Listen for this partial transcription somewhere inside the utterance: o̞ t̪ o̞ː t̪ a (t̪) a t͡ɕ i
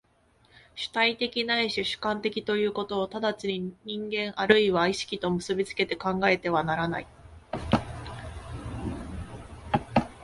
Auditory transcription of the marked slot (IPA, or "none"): d̪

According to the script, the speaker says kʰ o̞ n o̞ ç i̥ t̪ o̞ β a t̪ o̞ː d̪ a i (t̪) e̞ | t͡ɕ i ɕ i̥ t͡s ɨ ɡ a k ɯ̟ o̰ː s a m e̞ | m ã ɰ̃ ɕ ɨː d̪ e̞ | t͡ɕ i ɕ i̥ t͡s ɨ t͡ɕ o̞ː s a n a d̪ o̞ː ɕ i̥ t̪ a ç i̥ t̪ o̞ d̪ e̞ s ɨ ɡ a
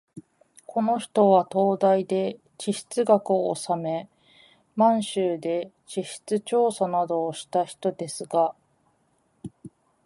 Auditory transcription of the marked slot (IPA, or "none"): d̪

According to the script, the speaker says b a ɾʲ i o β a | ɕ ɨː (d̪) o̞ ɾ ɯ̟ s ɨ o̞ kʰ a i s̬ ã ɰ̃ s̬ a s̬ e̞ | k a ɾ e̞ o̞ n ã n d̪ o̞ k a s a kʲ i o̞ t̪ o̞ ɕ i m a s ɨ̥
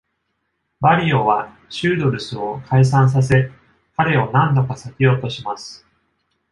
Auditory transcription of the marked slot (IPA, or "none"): d̪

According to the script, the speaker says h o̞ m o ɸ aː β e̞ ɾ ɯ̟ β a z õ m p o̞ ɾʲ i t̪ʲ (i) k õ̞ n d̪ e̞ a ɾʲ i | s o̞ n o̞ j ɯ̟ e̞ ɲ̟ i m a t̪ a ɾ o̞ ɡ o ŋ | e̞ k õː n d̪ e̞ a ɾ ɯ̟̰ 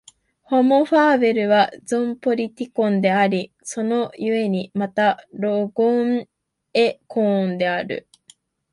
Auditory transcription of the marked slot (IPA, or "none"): i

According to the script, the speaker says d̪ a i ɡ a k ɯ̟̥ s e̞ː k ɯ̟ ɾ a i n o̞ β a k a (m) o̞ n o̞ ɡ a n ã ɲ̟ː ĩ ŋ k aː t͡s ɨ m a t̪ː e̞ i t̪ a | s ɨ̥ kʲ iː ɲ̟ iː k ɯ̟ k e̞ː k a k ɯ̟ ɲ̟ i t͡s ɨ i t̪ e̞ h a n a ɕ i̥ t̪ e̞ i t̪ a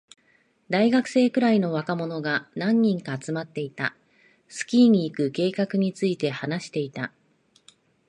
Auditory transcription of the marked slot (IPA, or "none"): m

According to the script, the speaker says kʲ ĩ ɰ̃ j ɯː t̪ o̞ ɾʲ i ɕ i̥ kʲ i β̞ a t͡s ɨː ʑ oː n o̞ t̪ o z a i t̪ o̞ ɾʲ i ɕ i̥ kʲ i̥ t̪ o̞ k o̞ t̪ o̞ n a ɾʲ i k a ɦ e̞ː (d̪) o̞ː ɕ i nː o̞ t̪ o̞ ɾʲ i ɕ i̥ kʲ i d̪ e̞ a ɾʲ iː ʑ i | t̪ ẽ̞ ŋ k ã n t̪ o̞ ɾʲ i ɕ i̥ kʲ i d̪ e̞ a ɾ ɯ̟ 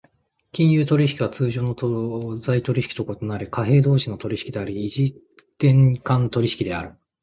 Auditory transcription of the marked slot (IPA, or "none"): d̪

